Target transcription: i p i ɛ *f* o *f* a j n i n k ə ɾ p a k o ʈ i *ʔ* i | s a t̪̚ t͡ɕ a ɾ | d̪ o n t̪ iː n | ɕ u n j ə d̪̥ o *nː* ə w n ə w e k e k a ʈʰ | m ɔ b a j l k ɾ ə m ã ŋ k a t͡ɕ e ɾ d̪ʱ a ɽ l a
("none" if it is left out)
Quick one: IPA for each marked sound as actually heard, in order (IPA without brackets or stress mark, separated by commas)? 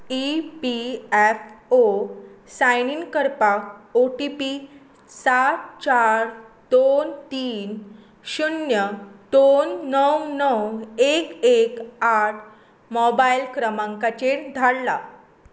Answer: f, s, p, nː